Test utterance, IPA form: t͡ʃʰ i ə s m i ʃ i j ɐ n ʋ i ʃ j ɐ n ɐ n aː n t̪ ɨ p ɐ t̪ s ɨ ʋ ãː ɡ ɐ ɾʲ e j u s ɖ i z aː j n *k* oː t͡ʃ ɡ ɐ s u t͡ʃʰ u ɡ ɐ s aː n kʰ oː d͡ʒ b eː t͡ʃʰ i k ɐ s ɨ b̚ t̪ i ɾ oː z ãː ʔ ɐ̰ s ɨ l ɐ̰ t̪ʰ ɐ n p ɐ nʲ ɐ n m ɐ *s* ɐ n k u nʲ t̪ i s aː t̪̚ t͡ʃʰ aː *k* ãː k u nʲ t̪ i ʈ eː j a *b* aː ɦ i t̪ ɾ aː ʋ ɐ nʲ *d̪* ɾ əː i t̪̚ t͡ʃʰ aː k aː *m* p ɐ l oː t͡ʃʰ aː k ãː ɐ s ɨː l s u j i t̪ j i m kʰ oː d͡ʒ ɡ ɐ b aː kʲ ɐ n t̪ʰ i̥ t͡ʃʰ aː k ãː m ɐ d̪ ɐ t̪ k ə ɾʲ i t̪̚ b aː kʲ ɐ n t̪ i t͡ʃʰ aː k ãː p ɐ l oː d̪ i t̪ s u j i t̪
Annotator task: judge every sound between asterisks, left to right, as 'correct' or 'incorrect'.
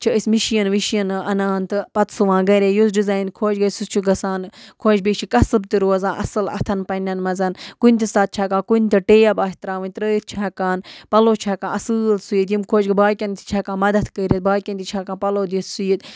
incorrect, incorrect, correct, correct, incorrect, incorrect

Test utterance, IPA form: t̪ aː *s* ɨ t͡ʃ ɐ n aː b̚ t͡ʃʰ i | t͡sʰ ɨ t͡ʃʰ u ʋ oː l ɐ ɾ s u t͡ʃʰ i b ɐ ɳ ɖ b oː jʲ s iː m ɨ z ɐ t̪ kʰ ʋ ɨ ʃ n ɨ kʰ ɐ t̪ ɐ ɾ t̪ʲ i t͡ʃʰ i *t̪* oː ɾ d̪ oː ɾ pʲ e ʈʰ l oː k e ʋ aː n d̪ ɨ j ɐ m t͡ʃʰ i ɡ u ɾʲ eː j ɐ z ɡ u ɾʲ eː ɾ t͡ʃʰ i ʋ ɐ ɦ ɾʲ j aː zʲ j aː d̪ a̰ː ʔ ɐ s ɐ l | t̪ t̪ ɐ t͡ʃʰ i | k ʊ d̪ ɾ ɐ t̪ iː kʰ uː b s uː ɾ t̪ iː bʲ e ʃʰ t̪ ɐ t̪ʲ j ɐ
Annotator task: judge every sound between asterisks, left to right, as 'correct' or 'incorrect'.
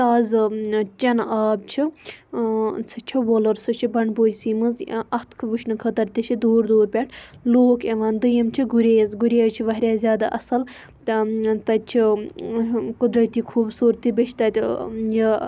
incorrect, incorrect

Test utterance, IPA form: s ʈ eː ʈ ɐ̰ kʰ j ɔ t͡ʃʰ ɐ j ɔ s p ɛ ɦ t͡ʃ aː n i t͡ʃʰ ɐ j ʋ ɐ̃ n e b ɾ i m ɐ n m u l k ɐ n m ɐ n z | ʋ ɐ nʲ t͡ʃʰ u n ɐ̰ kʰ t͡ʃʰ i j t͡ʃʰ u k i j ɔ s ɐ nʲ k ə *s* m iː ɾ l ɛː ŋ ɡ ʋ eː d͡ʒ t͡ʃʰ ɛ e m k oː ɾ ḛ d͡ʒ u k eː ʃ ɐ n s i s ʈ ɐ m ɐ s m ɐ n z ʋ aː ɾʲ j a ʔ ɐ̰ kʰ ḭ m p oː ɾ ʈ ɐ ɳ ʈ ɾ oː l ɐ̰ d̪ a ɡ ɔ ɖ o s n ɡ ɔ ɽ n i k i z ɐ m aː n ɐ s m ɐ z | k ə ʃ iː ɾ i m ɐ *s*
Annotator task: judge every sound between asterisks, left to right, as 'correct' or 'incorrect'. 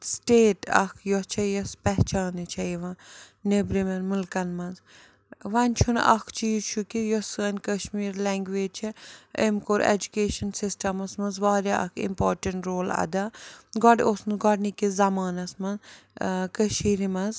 incorrect, incorrect

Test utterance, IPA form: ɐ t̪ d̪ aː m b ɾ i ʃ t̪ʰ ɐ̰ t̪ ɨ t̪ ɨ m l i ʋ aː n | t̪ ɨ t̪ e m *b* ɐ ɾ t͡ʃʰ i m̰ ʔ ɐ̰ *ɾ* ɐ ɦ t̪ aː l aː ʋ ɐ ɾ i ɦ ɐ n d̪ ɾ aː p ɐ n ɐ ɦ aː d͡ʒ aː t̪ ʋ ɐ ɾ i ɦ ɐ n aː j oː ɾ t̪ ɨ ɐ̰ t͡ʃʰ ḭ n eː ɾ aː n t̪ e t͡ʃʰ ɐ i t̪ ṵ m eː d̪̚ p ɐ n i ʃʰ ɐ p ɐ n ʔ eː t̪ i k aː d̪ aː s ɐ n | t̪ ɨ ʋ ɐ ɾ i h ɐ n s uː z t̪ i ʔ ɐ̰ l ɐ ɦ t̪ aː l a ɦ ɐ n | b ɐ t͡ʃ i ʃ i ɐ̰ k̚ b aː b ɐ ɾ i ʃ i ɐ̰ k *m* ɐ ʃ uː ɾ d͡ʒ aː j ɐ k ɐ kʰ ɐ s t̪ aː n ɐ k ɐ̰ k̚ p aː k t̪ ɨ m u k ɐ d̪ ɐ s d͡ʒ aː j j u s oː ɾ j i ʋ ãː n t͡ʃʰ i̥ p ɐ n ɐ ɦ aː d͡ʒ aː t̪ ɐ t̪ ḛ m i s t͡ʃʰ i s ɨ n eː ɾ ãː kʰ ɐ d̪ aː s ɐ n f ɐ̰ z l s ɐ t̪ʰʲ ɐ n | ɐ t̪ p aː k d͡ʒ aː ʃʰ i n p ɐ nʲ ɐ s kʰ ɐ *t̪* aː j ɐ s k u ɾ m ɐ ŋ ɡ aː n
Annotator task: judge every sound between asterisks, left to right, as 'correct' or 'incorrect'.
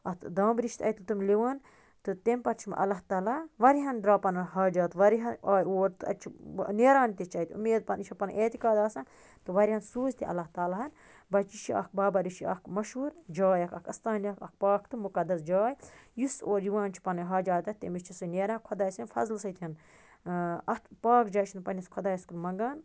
incorrect, incorrect, correct, incorrect

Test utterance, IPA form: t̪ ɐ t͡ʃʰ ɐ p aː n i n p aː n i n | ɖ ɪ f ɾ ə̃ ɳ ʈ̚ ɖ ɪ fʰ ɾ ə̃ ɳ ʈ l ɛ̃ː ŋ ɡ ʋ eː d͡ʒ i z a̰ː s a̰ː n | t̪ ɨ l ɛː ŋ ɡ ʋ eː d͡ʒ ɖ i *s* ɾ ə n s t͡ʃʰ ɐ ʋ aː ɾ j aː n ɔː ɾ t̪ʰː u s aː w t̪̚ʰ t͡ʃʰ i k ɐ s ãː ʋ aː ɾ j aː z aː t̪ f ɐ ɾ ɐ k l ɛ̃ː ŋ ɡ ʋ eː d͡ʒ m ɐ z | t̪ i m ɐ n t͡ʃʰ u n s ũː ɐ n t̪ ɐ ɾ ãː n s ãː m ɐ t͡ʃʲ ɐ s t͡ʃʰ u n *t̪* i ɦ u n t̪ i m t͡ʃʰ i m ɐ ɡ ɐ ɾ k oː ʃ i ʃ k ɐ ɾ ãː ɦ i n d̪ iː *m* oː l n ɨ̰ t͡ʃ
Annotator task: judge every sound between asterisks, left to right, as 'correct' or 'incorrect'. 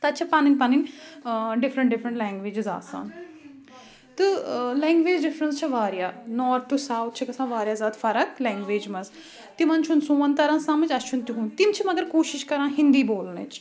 incorrect, correct, incorrect

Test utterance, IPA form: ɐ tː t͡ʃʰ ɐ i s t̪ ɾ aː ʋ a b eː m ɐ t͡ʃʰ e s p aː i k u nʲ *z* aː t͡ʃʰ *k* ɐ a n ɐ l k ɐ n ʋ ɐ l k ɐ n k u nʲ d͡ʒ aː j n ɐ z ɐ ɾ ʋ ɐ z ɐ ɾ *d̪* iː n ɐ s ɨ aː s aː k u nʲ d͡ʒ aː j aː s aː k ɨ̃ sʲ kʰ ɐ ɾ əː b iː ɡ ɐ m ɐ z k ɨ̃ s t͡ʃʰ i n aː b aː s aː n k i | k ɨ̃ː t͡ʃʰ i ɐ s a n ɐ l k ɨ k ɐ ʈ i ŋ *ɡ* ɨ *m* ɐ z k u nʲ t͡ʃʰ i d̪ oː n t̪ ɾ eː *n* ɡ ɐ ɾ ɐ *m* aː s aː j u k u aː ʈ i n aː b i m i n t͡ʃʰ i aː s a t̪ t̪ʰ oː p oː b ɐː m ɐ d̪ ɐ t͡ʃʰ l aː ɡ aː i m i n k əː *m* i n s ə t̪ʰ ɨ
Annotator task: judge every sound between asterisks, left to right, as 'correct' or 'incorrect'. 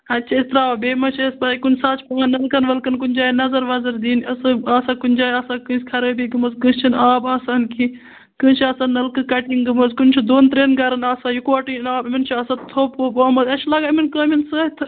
incorrect, incorrect, correct, correct, correct, correct, incorrect, correct

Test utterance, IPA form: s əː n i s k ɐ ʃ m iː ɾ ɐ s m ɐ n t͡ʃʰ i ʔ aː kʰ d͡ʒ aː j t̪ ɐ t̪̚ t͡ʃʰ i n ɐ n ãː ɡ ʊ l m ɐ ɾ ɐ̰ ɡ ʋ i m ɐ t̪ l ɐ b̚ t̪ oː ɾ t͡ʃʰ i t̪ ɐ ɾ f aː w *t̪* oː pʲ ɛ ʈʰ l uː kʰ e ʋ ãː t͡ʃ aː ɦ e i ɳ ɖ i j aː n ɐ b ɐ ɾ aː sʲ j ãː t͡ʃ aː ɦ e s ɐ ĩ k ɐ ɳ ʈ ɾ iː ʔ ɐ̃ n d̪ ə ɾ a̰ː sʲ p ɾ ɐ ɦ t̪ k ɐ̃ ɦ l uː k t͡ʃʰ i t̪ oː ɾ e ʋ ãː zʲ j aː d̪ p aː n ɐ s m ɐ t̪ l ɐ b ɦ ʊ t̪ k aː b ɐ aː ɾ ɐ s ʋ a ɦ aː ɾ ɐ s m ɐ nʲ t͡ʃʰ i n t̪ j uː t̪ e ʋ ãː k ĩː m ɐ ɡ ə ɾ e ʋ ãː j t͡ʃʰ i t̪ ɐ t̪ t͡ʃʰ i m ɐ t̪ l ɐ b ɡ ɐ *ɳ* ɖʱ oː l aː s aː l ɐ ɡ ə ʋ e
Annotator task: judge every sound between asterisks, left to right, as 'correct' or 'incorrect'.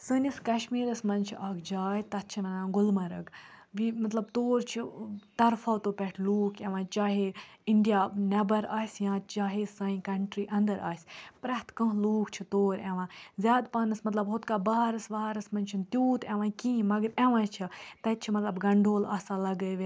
correct, correct

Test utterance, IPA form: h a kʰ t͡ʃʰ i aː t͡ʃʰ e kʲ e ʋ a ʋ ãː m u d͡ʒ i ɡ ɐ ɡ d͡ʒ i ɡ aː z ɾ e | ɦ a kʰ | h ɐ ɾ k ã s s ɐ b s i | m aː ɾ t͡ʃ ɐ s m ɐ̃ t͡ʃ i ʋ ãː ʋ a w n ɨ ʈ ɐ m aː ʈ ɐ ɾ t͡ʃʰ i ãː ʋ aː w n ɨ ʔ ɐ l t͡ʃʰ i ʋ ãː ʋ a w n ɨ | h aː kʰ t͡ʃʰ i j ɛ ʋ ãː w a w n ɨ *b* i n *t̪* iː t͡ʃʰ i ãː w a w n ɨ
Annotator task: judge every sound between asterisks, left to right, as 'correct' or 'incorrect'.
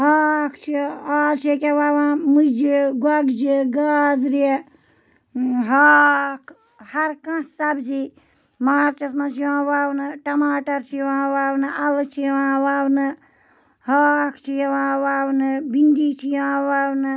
correct, incorrect

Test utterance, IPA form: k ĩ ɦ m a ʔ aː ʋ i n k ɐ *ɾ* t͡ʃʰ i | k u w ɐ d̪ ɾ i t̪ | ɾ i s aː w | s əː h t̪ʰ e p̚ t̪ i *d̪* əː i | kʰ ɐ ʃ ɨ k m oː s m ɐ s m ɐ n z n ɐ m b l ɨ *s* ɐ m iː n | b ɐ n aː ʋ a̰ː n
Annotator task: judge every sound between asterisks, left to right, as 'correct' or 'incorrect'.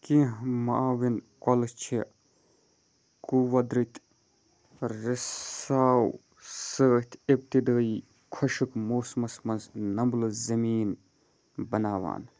incorrect, correct, incorrect

